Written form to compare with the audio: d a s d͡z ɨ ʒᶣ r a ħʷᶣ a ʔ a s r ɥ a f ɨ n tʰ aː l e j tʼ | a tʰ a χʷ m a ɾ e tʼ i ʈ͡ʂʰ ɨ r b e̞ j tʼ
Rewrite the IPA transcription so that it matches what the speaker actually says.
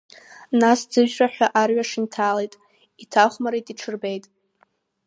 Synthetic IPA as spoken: n a s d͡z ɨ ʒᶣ r a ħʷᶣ a ʔ a r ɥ a ʂ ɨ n tʰ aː l e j tʼ | i tʰ a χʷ m a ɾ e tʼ i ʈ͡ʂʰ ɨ r b e̞ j tʼ